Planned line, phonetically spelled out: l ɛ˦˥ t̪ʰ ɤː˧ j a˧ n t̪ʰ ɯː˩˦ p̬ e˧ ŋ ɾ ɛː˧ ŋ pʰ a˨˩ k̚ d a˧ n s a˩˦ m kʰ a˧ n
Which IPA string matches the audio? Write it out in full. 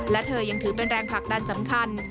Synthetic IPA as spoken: l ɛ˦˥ t̪ʰ ɤː˧ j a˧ ŋ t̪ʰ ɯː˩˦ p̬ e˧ n ɾ ɛː˧ ŋ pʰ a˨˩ k̚ d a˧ n s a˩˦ m kʰ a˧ n